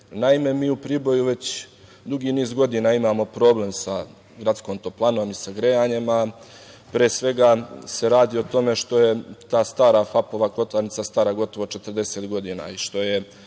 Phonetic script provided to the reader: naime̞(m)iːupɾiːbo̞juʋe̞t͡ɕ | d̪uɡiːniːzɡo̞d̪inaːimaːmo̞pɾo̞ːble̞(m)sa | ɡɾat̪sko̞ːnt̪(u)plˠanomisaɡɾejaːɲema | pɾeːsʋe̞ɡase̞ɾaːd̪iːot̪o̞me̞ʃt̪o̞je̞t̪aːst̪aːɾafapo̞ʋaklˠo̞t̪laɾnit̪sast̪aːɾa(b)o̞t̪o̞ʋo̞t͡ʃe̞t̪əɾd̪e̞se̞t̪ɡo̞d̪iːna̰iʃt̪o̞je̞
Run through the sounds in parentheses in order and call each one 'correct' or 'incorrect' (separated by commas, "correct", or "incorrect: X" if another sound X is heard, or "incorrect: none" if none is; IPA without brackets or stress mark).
correct, correct, incorrect: o, incorrect: ɡ